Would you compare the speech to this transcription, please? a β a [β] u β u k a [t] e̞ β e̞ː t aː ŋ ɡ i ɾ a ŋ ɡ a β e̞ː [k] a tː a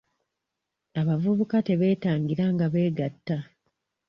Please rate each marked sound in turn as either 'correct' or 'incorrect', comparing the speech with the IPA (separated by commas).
incorrect, correct, incorrect